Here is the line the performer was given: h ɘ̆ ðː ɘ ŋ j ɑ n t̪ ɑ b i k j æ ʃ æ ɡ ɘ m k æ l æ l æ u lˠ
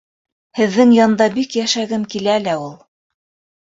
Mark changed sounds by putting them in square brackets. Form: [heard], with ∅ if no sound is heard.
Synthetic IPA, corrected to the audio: h ɘ̆ ðː ɘ ŋ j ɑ n [d̪] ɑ b i k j æ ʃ æ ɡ ɘ m k [i] l æ l æ u lˠ